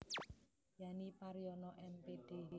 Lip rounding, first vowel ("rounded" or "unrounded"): unrounded